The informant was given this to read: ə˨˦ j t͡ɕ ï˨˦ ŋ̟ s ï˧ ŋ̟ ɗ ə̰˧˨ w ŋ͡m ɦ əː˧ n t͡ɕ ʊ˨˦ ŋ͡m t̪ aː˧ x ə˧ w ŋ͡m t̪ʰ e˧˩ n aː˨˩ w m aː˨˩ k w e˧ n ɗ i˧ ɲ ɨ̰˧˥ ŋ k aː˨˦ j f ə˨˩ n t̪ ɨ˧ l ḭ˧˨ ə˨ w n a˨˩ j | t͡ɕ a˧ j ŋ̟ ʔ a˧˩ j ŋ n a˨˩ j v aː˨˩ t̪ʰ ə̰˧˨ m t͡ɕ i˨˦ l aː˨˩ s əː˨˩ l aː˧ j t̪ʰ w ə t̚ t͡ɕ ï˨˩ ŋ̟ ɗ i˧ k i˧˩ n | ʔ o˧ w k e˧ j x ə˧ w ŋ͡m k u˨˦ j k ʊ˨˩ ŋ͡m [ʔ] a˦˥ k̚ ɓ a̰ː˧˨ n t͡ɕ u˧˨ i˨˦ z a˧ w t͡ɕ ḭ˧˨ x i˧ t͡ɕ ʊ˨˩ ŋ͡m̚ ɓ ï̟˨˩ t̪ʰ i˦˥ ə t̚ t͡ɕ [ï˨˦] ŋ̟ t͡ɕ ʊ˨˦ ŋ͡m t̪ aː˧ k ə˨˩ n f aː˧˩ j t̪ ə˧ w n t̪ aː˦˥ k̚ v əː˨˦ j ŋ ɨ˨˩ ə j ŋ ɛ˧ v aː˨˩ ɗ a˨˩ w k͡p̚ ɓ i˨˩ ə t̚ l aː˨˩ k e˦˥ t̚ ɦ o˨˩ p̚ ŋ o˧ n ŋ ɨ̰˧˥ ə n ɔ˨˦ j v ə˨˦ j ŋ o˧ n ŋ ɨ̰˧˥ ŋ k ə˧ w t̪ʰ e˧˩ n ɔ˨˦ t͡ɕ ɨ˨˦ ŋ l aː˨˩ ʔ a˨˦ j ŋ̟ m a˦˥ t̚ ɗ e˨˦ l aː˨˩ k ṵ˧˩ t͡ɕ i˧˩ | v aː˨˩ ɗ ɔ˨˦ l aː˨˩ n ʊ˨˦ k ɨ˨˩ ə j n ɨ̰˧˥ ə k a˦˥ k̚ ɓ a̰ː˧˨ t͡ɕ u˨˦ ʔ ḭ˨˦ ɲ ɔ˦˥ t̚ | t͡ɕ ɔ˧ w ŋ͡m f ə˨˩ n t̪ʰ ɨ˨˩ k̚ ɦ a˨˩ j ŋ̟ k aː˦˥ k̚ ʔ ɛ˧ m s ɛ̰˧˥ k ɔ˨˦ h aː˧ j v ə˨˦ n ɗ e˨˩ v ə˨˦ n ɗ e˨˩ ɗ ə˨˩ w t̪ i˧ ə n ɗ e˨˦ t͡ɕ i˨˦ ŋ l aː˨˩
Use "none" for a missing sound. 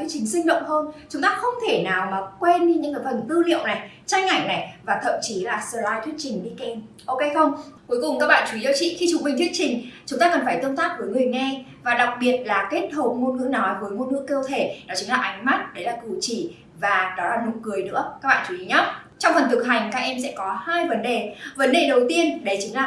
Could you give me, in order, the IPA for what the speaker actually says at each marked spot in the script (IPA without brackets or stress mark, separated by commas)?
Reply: k, ï˨˩